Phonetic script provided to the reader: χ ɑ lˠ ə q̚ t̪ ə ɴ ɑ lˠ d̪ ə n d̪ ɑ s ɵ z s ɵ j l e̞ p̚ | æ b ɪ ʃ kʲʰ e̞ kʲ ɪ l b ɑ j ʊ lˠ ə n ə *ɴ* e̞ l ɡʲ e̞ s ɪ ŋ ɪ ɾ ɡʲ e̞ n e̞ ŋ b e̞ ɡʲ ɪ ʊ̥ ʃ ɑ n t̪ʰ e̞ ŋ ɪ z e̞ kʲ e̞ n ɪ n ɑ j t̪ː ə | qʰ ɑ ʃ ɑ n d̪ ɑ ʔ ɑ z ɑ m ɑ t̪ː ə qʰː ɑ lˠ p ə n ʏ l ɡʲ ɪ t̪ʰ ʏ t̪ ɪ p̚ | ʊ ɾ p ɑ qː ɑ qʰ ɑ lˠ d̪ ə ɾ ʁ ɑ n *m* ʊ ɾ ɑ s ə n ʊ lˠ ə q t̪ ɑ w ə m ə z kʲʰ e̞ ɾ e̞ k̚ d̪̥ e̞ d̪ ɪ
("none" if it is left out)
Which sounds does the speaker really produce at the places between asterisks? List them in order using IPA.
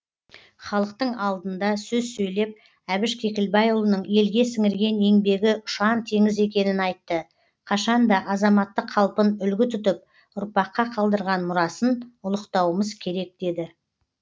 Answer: ɴ, m

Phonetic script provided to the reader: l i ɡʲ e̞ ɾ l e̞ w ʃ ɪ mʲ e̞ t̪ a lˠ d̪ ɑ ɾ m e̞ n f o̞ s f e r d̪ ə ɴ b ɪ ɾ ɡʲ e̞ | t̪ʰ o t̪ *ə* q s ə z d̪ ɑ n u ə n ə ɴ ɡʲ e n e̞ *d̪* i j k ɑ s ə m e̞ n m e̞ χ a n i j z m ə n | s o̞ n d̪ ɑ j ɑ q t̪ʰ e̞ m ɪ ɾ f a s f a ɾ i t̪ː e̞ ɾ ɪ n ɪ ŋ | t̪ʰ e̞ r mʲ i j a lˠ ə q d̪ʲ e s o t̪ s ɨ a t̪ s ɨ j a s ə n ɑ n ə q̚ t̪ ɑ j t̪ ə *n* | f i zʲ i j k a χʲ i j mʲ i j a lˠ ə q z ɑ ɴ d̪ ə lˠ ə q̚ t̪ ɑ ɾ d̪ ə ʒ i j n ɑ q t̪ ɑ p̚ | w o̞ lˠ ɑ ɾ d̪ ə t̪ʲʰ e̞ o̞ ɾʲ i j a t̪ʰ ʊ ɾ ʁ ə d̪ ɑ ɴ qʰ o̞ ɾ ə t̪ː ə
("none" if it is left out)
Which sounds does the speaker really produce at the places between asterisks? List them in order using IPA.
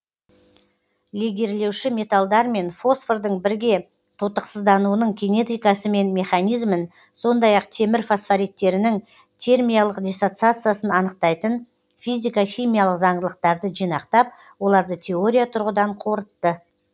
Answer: ə, t̪, n

